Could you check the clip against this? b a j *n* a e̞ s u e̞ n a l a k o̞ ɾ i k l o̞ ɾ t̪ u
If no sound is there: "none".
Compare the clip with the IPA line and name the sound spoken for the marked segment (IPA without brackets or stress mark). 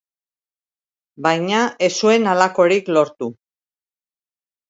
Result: ɲ